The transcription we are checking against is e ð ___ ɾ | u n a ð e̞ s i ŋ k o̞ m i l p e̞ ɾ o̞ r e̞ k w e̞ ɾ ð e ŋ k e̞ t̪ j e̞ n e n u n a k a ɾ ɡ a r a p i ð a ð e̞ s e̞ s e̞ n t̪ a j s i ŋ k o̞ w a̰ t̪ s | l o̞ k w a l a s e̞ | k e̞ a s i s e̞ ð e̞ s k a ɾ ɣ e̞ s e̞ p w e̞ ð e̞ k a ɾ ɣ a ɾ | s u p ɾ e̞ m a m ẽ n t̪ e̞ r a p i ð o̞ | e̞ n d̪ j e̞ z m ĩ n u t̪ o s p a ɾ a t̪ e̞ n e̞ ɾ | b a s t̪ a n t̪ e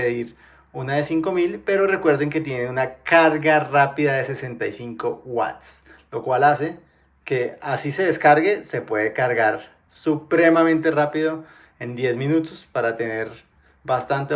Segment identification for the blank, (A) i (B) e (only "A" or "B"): A